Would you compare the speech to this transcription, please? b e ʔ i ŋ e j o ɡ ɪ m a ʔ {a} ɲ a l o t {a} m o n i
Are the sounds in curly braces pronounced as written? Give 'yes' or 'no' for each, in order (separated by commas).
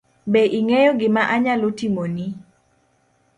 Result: yes, no